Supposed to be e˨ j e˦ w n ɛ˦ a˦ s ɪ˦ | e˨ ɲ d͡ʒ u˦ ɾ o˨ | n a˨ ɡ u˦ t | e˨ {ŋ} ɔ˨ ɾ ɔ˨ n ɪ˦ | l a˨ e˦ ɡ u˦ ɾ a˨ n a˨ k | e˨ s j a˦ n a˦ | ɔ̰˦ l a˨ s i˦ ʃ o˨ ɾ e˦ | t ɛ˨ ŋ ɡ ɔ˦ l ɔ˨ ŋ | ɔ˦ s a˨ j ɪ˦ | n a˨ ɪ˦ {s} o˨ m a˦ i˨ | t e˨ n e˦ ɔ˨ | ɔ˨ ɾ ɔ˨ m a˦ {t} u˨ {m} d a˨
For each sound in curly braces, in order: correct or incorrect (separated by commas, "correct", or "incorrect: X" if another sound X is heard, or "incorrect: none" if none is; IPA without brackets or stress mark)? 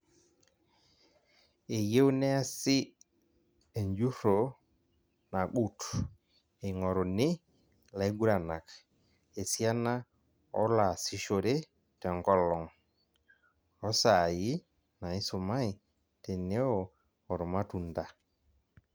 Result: correct, correct, correct, incorrect: n